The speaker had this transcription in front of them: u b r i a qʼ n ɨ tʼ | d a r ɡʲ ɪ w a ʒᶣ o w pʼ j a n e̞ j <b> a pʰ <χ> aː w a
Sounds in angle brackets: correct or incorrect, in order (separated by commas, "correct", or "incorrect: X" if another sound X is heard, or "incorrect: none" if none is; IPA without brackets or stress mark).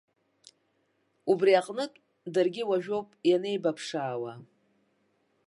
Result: correct, incorrect: ʂ